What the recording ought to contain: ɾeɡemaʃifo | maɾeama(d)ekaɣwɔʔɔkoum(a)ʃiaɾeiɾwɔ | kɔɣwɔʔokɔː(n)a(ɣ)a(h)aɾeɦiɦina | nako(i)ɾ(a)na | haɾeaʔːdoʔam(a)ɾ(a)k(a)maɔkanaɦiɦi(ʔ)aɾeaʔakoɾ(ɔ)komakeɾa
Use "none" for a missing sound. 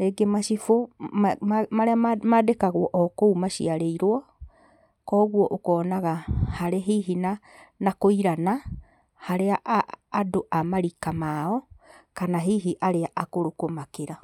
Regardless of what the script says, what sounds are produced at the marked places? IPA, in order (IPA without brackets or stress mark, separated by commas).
d, a, n, ɣ, h, i, a, a, i, a, ʔ, o